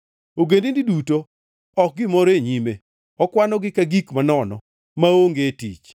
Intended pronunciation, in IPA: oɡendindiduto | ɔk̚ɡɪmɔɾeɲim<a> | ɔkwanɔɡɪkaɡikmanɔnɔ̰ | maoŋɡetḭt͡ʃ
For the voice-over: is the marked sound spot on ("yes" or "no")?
no